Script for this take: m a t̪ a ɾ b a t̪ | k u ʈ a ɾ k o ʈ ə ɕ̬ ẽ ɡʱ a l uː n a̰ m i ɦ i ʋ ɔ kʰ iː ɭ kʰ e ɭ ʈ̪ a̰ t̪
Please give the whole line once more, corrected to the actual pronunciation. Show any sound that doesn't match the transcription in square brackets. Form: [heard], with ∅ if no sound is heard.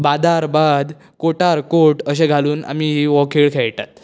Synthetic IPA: [b] a [d̪] a ɾ b a [d̪] | k [o] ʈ a ɾ k o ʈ ə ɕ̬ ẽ ɡʱ a l uː n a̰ m i ɦ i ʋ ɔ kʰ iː ɭ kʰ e ɭ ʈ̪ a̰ t̪